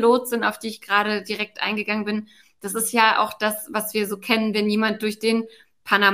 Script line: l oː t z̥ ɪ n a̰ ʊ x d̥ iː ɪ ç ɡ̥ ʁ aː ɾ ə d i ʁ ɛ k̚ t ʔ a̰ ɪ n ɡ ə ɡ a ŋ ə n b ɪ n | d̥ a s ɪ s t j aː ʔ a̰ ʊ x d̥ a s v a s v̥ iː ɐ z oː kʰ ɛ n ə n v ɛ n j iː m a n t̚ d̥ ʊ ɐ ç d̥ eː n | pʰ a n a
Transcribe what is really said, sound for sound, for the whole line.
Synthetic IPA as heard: l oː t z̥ ɪ n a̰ ʊ f d̥ iː ɪ ç ɡ̥ ʁ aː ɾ ə d i ʁ ɛ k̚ t ʔ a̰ ɪ n ɡ ə ɡ a ŋ ə n b ɪ n | d̥ a s ɪ s t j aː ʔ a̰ ʊ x d̥ a s v a s v̥ iː ɐ z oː kʰ ɛ n ə n v ɛ n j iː m a n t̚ d̥ ʊ ɐ ç d̥ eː n | pʰ a n a